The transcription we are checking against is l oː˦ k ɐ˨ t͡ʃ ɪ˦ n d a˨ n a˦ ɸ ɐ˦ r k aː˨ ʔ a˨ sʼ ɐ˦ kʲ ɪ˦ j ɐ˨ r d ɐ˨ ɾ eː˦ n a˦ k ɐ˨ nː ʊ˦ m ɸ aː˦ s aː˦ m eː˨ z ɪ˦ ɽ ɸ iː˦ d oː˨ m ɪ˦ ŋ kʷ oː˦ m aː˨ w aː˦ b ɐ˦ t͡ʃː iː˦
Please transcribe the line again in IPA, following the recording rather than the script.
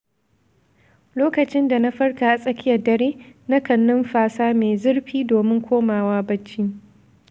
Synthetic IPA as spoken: l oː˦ k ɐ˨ t͡ʃ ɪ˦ n d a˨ n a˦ ɸ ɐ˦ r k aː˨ ʔ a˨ sʼ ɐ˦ kʲ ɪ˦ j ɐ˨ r d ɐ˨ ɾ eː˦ n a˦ k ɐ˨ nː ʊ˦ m ɸ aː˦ s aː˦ m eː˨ z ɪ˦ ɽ ɸ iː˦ d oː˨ m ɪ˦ ŋ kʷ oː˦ m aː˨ w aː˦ b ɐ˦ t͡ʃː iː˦